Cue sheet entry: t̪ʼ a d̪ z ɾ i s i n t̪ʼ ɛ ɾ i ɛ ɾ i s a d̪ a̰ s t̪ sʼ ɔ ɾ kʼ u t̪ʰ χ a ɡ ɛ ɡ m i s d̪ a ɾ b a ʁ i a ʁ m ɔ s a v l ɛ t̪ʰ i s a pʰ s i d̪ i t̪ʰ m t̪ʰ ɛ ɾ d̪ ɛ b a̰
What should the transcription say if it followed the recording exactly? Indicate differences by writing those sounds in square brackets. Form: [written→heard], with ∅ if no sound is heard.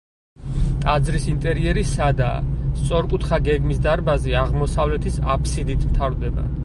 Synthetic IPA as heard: t̪ʼ a d̪ z ɾ i s i n t̪ʼ ɛ ɾ i ɛ ɾ i s a d̪ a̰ s t̪ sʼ ɔ ɾ kʼ u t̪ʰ χ a ɡ ɛ ɡ m i s d̪ a ɾ b a [ʁ→z] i a ʁ m ɔ s a v l ɛ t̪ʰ i s a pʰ s i d̪ i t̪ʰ m t̪ʰ [ɛ→a] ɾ d̪ ɛ b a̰

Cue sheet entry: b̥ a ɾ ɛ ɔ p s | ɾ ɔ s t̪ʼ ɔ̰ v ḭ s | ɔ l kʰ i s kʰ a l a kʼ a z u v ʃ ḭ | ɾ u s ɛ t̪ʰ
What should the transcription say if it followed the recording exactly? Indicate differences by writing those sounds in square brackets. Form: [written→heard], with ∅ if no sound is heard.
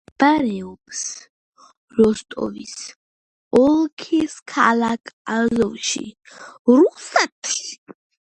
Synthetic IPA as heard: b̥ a ɾ ɛ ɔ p s | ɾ ɔ s t̪ʼ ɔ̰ v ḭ s | ɔ l kʰ i s kʰ a l a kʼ a z [u→ɔ] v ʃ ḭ | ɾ u s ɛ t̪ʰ

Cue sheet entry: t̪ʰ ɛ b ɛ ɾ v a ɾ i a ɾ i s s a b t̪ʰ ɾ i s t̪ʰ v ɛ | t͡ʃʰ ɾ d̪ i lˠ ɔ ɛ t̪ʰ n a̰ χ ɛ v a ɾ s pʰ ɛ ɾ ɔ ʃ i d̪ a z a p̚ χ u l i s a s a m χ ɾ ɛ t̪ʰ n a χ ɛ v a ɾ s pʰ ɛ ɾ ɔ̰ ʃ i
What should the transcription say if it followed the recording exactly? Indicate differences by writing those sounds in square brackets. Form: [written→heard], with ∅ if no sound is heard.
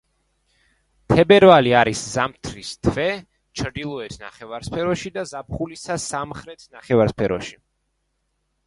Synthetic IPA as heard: t̪ʰ ɛ b ɛ ɾ v a [ɾ→l] i a ɾ i s [s→z] a [b→m] t̪ʰ ɾ i s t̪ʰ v ɛ | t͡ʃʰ ɾ d̪ i lˠ ɔ ɛ t̪ʰ n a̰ χ ɛ v a ɾ s pʰ ɛ ɾ ɔ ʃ i d̪ a z a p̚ χ u l i s a s a m χ ɾ ɛ t̪ʰ n a χ ɛ v a ɾ s pʰ ɛ ɾ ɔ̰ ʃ i

